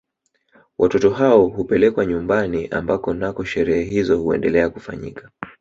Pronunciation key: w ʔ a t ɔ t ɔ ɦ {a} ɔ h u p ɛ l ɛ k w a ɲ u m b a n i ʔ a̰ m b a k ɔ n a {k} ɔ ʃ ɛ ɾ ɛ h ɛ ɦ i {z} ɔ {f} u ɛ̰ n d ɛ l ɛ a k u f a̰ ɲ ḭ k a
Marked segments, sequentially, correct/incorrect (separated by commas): correct, correct, correct, incorrect